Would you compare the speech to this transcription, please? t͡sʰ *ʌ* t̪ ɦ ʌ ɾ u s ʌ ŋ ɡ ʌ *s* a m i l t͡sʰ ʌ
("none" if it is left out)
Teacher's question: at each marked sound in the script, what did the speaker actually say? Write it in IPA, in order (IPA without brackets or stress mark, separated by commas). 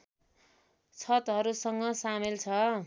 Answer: ʌ, s